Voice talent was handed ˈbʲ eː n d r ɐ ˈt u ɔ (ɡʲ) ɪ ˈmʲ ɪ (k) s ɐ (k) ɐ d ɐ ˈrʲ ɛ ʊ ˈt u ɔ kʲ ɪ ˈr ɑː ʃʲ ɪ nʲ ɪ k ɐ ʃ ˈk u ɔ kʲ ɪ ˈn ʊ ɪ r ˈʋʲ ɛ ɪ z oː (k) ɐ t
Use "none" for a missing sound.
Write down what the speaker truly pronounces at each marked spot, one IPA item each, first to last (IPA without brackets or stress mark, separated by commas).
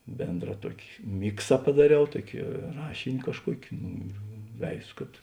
kʲ, k, p, k